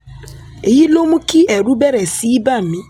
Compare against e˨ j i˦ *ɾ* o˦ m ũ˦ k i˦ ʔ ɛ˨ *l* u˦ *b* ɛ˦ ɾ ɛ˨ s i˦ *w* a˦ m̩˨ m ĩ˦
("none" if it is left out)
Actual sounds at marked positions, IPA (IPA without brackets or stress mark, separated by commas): l, ɾ, b, b